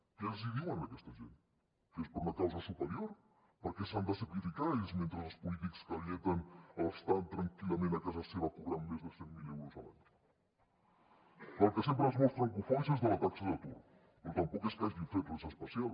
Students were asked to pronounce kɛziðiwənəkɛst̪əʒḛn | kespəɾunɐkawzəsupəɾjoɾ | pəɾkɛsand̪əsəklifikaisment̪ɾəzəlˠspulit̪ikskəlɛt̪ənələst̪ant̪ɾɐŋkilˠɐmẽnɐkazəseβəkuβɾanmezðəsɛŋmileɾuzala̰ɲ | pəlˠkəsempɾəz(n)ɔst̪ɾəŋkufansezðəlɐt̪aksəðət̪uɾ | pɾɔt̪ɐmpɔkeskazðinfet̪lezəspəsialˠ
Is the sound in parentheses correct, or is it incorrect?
incorrect